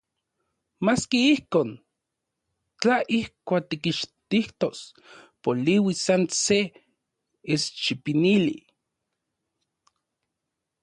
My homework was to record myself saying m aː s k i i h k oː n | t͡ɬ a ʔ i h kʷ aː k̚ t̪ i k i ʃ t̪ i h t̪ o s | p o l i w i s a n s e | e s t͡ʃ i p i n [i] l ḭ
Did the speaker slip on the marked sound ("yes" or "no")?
no